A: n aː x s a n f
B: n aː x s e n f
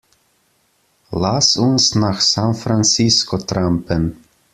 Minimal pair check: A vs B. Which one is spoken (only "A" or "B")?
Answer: A